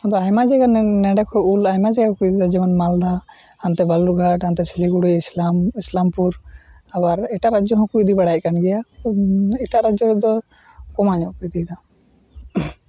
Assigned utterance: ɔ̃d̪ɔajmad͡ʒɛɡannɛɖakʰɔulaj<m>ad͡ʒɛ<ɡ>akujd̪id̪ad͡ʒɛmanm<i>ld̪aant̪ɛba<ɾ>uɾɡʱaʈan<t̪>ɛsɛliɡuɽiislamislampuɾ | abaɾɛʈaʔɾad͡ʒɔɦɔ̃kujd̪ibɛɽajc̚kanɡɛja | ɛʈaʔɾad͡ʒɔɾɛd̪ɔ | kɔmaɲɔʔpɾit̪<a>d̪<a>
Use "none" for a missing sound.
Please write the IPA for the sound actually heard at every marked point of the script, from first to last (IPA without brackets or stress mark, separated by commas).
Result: m, ɡ, a, l, t̪, i, a